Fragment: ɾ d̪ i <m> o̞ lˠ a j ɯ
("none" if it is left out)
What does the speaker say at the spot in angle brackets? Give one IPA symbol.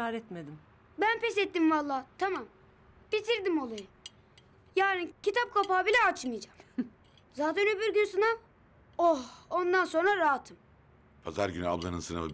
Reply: m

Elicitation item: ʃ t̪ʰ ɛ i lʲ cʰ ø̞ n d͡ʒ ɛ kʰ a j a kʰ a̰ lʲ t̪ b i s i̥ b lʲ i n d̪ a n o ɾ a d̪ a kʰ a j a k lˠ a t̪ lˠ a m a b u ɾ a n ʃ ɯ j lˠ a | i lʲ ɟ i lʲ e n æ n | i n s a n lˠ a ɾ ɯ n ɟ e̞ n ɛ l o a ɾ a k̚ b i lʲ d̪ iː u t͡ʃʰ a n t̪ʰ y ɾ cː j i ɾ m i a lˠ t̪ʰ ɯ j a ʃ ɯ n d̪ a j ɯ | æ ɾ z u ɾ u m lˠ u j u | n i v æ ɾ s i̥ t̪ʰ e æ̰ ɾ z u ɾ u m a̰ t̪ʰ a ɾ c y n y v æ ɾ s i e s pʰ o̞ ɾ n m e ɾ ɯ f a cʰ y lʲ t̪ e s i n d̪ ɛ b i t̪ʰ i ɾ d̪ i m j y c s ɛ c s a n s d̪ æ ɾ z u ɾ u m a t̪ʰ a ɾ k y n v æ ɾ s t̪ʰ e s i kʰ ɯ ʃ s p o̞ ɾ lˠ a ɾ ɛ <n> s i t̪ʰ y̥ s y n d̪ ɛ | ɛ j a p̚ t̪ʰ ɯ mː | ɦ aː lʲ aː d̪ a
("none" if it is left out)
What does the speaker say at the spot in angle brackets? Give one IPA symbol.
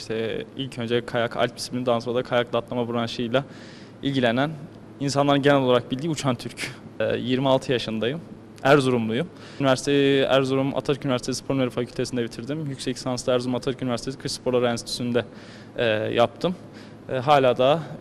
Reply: n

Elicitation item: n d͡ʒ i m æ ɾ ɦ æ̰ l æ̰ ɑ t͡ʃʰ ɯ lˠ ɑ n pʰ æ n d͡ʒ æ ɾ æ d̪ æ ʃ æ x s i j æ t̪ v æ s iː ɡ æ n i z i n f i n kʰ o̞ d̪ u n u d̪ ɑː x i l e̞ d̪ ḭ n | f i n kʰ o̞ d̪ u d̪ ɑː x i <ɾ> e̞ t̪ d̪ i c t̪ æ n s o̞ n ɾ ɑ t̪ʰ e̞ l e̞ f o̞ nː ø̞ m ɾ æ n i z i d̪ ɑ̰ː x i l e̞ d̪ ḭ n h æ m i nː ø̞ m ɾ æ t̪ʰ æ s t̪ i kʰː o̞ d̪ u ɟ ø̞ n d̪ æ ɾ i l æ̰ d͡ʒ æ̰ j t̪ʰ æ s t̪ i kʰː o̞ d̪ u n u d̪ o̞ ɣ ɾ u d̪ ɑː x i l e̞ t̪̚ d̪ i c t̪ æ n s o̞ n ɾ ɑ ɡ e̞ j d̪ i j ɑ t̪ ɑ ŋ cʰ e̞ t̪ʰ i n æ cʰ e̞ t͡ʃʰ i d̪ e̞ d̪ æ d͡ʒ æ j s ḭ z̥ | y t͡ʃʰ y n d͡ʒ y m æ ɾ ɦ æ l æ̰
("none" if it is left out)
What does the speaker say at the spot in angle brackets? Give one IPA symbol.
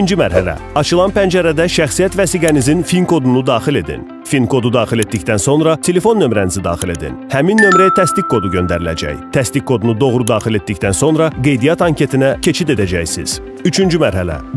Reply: l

